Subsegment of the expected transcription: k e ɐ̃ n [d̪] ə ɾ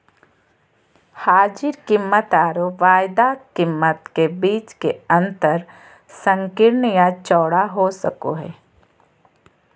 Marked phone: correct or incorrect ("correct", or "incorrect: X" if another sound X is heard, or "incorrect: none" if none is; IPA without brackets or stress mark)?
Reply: incorrect: t̪